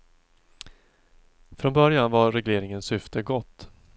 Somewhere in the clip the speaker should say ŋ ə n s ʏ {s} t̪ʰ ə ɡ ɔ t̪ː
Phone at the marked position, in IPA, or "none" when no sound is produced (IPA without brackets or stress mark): f